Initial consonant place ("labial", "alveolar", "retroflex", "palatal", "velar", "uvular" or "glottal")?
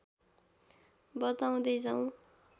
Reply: labial